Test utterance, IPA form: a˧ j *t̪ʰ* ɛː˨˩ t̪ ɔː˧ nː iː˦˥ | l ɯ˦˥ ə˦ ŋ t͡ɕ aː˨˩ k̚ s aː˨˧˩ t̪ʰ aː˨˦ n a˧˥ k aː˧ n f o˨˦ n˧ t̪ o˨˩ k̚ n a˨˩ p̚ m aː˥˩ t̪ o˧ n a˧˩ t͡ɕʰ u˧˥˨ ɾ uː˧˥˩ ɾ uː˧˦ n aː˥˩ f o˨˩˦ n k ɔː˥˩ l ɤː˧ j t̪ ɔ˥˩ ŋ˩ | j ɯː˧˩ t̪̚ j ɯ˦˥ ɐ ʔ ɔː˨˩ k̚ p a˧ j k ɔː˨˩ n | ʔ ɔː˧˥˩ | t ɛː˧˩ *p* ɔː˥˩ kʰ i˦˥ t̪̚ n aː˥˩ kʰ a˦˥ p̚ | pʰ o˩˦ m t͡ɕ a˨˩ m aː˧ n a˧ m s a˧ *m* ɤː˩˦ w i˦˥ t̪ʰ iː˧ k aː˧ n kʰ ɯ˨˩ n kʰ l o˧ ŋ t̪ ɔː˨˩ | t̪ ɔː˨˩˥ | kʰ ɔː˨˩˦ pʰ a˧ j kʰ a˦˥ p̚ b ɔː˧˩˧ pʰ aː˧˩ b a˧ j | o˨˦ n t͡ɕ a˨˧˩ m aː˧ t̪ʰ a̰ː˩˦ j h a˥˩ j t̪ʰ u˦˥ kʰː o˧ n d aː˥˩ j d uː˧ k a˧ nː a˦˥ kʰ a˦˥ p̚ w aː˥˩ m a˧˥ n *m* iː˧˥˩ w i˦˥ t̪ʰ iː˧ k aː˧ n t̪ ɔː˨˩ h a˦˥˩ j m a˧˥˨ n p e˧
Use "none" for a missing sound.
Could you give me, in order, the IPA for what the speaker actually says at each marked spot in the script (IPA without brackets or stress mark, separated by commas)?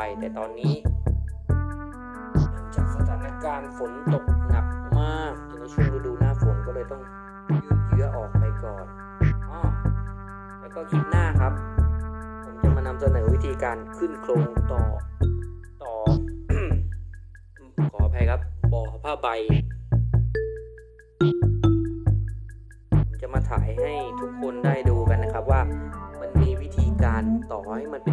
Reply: t̪, k, n, m